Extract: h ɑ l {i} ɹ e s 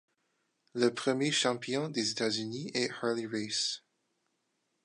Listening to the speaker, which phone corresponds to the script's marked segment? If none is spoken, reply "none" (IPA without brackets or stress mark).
i